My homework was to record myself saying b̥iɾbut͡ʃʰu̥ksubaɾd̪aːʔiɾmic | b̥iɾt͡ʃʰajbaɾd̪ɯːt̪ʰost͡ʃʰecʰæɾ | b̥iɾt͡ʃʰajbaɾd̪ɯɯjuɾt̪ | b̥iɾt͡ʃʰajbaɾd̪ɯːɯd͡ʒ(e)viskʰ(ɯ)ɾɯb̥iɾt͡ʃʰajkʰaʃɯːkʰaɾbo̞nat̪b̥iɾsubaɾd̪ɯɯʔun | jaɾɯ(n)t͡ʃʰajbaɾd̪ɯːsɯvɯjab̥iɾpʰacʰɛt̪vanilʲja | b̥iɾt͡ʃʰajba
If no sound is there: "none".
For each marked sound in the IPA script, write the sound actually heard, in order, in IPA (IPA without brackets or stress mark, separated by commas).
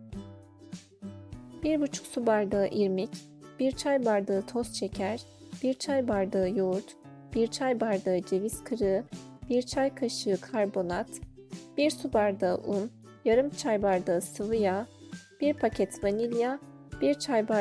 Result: e, ɯ, m